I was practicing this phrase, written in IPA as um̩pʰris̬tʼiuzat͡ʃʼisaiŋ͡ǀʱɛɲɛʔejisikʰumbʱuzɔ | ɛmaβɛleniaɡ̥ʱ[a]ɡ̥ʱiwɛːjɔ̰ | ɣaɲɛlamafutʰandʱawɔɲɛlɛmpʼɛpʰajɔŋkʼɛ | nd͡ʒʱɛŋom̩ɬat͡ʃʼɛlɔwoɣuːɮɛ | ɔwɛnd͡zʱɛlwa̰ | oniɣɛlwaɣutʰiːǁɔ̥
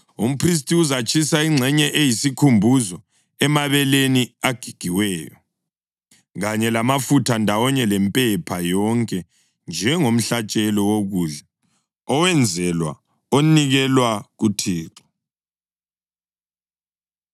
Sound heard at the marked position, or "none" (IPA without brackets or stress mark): i